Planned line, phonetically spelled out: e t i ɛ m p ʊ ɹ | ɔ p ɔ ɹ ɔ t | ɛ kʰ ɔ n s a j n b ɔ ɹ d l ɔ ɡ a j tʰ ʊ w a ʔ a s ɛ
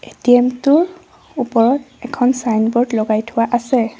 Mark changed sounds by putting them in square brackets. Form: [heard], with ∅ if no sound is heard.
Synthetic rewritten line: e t i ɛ m [t] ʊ ɹ | [u] p ɔ ɹ ɔ t | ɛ kʰ ɔ n s a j n b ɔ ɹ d l ɔ ɡ a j tʰ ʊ w a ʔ a s ɛ